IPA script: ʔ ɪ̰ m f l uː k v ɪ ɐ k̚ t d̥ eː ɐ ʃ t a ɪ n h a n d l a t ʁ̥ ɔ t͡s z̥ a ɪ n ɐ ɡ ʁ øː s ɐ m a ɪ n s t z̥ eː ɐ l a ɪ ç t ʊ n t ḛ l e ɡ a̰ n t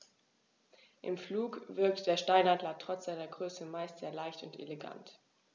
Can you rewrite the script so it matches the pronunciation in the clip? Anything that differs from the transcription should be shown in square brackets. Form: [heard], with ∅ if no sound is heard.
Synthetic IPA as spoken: ʔ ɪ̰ m f l uː k v ɪ ɐ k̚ t d̥ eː ɐ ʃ t a ɪ n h a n d l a t ʁ̥ ɔ t͡s z̥ a ɪ n ɐ ɡ ʁ øː s [ə] m a ɪ [∅] s t z̥ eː ɐ l a ɪ ç t ʊ n t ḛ l e ɡ a̰ n t